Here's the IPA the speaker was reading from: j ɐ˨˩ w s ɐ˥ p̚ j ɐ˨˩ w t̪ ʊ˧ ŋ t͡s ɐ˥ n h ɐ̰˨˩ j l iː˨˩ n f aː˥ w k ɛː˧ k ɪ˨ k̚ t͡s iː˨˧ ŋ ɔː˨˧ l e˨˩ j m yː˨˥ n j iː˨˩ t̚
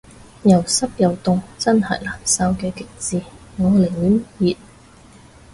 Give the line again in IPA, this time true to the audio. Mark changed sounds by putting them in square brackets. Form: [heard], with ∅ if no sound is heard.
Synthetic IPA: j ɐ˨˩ w s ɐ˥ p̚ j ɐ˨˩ w t̪ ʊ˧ ŋ t͡s ɐ˥ n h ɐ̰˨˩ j l [aː˨˩] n [s] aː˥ w k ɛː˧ k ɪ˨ k̚ t͡s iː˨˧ ŋ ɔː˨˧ l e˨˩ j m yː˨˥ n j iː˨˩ t̚